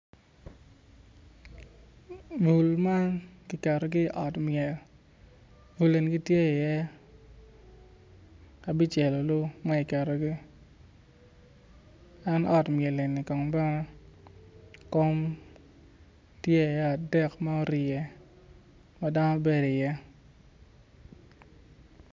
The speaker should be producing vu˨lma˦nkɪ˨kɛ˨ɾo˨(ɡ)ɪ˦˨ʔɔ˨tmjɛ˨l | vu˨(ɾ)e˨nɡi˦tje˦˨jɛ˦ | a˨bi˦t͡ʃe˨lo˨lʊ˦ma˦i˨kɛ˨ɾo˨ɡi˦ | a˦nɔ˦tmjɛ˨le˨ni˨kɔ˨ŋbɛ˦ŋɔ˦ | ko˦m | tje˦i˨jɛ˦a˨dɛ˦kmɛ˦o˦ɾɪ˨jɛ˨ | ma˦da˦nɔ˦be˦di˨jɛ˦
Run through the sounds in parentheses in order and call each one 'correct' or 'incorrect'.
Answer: correct, incorrect

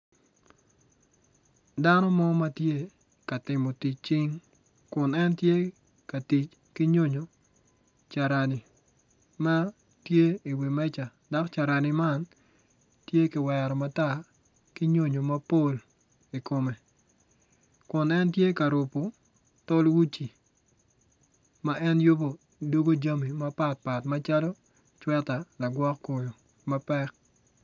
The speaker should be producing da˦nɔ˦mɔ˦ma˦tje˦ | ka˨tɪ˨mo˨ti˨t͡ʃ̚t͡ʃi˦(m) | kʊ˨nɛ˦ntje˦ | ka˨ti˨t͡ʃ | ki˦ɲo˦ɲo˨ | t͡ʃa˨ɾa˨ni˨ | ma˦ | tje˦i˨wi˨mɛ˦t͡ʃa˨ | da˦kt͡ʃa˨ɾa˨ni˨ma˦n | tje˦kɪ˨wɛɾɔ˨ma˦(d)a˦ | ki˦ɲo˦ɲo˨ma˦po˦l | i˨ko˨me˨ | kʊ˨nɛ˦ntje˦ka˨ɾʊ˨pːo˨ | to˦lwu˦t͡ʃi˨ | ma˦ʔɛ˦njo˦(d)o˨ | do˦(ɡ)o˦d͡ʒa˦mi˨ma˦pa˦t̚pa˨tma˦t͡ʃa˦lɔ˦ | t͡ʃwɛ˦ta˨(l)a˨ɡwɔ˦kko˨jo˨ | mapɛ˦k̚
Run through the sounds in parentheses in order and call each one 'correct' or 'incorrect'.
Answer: incorrect, incorrect, incorrect, correct, correct

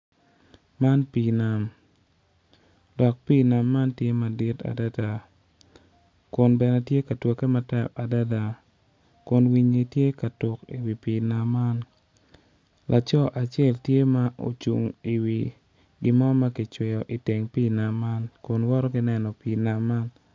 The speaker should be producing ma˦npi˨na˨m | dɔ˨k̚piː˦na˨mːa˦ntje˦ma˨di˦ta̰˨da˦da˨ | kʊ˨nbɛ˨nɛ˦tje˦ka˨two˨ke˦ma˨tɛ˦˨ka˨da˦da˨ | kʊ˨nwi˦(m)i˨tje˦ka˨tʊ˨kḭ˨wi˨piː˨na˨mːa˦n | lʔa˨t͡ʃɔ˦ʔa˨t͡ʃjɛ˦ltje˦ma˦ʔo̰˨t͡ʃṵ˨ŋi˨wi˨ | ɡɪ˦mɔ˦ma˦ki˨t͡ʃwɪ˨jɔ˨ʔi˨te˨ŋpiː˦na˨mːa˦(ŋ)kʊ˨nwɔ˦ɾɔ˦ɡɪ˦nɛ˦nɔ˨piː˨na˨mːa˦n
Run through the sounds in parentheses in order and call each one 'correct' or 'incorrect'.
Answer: incorrect, incorrect

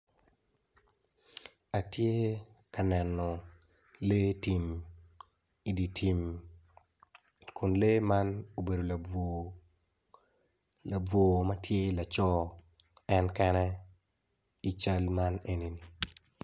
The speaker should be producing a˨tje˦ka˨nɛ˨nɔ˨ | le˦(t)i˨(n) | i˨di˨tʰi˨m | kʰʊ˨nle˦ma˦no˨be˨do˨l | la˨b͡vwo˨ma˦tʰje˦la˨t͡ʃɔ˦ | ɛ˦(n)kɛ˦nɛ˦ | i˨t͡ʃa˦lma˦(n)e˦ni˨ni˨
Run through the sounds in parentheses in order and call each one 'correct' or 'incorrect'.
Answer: correct, incorrect, correct, correct

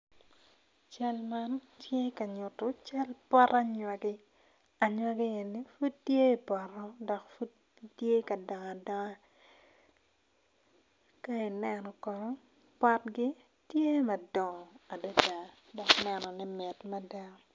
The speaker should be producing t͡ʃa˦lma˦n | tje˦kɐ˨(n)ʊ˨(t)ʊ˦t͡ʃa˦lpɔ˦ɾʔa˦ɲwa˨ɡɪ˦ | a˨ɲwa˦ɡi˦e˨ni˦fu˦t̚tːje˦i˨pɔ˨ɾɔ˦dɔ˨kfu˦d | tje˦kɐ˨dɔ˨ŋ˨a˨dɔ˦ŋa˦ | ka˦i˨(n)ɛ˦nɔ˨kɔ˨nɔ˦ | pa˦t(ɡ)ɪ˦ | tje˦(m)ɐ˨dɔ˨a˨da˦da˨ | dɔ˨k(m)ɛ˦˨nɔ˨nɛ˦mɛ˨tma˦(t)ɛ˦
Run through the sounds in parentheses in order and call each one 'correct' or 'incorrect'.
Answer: incorrect, correct, correct, correct, correct, incorrect, incorrect

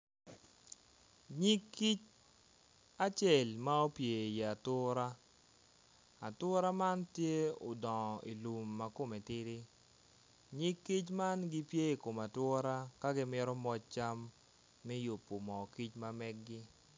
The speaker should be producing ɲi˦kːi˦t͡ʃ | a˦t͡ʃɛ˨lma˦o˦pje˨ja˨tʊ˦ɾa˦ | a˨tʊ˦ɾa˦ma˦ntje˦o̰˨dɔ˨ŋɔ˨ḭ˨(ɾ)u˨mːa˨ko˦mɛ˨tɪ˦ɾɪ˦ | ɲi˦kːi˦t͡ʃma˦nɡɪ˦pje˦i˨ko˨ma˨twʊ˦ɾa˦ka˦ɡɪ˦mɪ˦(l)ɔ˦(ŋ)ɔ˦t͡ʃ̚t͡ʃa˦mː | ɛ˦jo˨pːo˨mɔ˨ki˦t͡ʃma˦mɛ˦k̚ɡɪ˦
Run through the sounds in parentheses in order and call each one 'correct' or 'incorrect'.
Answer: incorrect, incorrect, incorrect

